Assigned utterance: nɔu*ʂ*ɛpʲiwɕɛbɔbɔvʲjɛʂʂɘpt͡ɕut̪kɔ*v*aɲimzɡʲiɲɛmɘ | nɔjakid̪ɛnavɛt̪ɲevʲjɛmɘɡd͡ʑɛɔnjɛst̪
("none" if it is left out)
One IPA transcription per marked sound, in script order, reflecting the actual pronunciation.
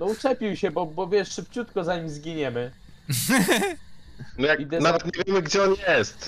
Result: t͡ʂ, z

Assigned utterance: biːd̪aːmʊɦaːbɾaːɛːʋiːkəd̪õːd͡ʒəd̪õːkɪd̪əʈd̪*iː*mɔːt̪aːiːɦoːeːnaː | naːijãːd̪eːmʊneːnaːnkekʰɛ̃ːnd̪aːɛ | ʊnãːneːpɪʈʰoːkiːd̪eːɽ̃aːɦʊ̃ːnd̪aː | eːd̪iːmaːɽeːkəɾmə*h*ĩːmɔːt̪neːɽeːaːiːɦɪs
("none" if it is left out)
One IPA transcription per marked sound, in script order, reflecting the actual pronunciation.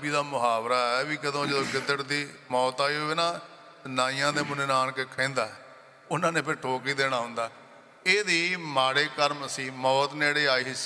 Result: iː, s

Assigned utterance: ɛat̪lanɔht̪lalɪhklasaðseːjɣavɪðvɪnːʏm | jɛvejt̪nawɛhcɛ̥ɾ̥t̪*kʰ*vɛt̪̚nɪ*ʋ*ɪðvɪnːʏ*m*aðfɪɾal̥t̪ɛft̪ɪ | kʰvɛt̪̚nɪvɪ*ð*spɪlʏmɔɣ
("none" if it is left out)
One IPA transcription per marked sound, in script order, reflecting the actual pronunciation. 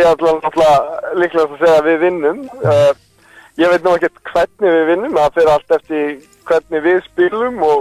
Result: kʰ, v, m, ð

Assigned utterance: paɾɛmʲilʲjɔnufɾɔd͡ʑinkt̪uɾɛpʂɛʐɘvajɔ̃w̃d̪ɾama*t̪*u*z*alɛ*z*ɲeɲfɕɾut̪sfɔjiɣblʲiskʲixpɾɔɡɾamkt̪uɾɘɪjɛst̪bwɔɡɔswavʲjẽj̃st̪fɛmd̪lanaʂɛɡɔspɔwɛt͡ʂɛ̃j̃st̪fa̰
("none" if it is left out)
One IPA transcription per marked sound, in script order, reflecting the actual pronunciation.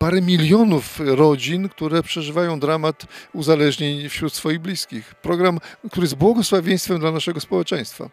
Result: t̪, z, ʐ

